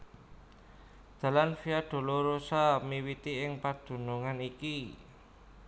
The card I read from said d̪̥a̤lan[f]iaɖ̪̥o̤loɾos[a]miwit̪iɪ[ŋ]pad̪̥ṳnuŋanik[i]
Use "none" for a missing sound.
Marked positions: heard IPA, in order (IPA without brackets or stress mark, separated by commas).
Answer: f, a, ŋ, i